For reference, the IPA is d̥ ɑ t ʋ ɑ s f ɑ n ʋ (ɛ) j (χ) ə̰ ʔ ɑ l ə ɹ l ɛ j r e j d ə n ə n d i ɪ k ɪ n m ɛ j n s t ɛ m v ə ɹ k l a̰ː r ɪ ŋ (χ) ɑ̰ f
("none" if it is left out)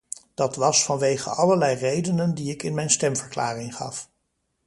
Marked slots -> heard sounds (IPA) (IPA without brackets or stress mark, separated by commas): e, χ, χ